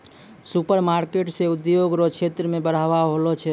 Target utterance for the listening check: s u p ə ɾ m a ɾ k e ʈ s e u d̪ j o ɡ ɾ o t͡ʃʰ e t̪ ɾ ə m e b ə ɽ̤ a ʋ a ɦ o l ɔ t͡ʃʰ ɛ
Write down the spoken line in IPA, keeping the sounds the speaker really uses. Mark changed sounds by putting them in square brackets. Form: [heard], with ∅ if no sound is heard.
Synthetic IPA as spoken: s u p ə ɾ m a ɾ k e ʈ s e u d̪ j o ɡ ɾ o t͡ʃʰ e t̪ ɾ ə m e b ə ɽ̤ a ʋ a ɦ o l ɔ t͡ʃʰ ɛ